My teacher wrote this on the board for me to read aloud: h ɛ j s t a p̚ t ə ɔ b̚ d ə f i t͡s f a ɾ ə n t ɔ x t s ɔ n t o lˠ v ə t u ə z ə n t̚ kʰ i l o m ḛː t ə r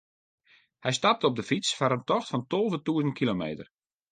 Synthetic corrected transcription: h ɛ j s t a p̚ t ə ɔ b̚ d ə f i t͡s f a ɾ ə n t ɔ x t f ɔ n t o lˠ v ə t u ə z ə n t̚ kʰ i l o m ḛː t ə r